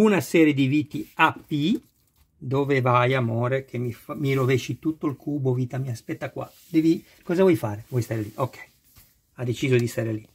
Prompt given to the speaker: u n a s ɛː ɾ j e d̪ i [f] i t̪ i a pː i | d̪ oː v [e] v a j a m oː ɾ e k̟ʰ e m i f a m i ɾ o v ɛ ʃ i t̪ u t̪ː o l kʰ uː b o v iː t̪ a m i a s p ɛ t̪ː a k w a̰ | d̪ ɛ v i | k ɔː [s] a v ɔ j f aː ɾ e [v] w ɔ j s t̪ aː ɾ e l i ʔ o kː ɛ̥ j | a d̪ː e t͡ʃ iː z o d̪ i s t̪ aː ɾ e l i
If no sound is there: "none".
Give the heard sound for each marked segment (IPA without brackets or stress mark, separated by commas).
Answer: v, e, z, v